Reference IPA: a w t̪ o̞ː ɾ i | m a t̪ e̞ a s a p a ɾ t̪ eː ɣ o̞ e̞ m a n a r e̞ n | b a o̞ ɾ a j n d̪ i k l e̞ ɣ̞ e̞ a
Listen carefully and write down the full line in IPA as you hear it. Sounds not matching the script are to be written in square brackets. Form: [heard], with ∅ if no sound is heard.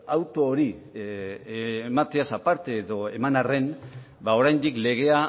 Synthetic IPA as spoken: a w t̪ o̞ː ɾ i | m a t̪ e̞ a s a p a ɾ t̪ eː [ð] o̞ e̞ m a n a r e̞ n | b a o̞ ɾ a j n d̪ i k l e̞ ɣ̞ e̞ a